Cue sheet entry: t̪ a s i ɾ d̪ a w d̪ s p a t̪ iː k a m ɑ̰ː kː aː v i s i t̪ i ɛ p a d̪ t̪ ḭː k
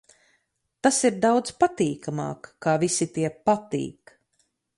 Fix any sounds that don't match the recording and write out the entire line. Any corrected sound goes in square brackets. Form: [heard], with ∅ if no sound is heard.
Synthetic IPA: t̪ a s i ɾ d̪ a w d̪ [z] p a t̪ iː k a m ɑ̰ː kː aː v i s i t̪ i ɛ p a [∅] t̪ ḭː k